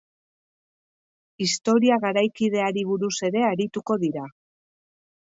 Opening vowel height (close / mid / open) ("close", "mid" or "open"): close